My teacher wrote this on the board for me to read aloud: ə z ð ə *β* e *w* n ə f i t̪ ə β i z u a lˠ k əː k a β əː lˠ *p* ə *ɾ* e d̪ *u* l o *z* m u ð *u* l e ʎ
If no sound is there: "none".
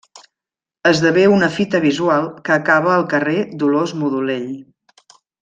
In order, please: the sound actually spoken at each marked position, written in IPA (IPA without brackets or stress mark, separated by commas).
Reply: β, u, k, r, u, z, u